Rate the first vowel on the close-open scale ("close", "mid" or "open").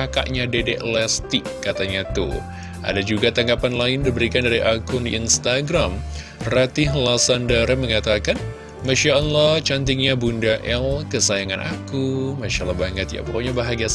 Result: open